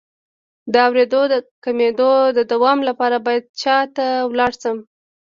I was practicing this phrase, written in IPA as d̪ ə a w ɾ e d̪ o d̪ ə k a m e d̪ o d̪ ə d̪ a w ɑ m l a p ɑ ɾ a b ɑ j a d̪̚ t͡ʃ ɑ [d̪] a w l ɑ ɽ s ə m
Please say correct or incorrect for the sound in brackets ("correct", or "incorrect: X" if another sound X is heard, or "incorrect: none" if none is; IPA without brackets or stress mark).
incorrect: t̪